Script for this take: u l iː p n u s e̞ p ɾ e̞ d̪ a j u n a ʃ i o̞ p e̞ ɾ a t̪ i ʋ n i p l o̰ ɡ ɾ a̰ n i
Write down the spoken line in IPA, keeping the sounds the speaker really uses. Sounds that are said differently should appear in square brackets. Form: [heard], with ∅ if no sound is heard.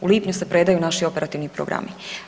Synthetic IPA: u l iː p [ɲ] u s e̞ p ɾ e̞ d̪ a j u n a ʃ i o̞ p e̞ ɾ a t̪ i ʋ n i p [ɾ] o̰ ɡ ɾ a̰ [m] i